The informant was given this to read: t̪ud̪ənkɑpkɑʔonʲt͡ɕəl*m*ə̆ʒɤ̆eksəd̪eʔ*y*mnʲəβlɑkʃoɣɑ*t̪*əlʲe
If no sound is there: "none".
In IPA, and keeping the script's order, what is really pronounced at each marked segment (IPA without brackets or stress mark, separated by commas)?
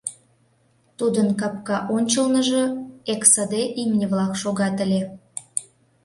n, i, t̪